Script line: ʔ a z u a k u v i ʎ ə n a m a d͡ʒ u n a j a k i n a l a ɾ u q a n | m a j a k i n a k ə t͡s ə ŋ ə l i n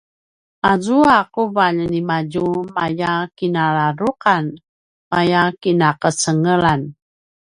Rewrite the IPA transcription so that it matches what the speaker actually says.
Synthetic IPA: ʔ a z u a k u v a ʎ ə n i m a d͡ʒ u m a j a k i n a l a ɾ u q a n | m a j a k i n a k ə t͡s ə ŋ ə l a n